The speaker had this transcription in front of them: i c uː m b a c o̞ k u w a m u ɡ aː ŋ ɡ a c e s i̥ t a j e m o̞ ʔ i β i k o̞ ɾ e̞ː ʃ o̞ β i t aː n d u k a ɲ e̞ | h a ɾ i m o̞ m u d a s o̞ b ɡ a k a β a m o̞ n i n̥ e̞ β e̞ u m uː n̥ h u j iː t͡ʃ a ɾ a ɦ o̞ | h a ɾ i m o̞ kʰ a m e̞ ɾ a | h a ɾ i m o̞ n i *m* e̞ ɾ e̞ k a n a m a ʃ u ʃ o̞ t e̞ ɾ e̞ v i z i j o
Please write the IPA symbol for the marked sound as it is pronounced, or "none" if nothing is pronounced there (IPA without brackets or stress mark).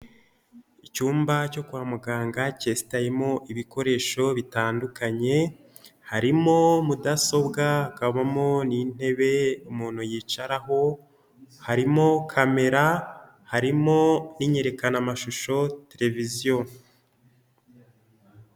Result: ɲ